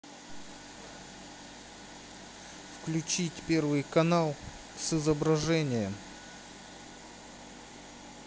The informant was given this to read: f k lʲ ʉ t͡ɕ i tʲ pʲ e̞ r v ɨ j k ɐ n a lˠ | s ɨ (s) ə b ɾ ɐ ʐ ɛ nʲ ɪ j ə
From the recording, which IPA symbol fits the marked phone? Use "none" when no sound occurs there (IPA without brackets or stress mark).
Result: z